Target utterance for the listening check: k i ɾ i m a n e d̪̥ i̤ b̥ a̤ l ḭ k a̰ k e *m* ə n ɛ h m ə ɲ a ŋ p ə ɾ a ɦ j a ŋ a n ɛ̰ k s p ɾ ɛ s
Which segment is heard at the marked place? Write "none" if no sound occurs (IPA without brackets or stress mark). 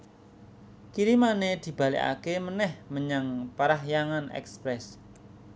m